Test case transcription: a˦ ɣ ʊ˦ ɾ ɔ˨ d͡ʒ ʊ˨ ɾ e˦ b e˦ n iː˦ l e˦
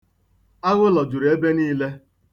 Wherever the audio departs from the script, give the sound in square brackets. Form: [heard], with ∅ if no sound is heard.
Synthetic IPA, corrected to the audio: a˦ ɣ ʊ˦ [l] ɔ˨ d͡ʒ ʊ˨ ɾ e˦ b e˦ n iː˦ l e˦